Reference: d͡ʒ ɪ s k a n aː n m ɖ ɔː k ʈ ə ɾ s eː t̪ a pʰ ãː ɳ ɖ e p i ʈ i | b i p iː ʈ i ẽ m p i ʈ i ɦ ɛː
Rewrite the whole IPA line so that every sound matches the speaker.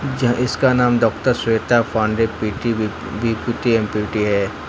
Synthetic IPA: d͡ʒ ɪ s k a n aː m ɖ ɔː k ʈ ə ɾ s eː t̪ a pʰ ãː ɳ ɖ e p i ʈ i | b i p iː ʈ i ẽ m p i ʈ i ɦ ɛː